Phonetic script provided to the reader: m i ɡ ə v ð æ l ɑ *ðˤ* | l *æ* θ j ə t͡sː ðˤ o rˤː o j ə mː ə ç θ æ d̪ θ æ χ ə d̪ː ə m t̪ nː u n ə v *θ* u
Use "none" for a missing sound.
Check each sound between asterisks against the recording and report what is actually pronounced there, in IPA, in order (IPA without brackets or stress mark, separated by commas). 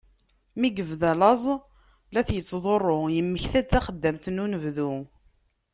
zˤ, æ, ð